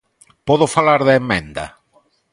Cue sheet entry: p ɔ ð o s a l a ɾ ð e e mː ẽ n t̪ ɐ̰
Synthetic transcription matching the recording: p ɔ ð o f a l a ɾ ð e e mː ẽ n d̪ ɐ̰